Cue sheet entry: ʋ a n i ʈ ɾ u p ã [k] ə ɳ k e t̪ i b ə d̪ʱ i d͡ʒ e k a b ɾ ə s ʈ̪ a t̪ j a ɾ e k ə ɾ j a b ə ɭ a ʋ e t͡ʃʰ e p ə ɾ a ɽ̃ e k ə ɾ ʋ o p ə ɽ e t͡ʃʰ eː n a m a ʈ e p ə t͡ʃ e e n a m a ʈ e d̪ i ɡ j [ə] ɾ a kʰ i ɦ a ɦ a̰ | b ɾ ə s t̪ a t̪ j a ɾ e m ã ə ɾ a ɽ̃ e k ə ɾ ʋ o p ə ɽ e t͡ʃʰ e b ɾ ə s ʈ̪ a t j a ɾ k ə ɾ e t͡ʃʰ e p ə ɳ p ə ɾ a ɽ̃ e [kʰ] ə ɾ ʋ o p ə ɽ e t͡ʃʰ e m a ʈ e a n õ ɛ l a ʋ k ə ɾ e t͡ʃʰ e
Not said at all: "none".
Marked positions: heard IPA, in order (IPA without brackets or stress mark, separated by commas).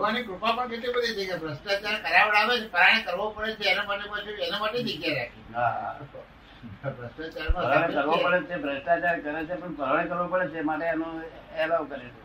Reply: p, a, k